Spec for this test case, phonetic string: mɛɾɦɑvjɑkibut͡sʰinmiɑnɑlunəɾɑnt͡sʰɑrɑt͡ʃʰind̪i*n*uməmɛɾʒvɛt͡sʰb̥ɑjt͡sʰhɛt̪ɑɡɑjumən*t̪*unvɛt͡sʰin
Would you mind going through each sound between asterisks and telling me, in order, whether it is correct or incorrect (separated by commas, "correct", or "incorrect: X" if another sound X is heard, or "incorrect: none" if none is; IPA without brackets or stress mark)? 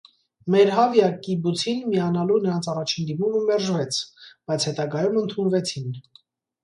incorrect: m, incorrect: t̪ʰ